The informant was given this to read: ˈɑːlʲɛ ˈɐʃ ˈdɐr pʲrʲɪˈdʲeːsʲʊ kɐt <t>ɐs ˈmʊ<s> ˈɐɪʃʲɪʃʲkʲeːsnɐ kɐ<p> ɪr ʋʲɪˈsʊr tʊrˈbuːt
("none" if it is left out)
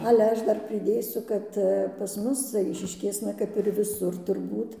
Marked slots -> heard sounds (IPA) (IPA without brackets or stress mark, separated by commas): p, s, p